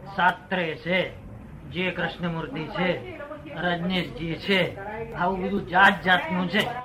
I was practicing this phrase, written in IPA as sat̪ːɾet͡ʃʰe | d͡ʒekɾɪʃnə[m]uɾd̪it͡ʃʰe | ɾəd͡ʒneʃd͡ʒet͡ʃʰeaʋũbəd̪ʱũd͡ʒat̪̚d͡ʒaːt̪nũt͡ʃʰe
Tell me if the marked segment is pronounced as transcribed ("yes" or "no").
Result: yes